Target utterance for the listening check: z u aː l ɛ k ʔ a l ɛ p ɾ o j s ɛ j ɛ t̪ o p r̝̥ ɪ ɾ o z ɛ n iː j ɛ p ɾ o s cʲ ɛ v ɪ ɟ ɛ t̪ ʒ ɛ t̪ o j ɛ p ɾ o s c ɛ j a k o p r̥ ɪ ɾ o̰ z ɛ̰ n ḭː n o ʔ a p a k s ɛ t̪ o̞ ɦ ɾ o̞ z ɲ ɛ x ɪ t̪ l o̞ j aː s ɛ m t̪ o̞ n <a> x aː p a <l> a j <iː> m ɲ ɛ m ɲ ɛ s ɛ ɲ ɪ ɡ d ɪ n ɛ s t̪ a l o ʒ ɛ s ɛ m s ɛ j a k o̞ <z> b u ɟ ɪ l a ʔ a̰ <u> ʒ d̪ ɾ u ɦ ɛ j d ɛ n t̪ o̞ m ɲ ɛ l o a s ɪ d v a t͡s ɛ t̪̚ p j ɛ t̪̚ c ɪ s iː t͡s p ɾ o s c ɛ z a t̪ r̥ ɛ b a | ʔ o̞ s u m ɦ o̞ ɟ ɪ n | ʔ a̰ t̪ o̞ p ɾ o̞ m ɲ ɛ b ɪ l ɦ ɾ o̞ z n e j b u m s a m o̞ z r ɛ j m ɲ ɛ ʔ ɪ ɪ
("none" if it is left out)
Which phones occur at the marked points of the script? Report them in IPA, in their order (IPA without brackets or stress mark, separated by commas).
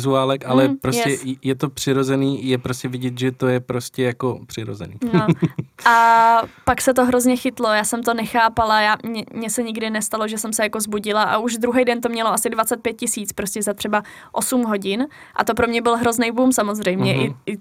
ɛ, l, aː, z, u